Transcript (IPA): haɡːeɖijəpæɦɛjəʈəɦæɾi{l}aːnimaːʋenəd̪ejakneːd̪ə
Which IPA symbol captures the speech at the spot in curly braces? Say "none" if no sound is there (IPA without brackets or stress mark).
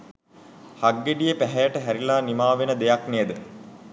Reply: l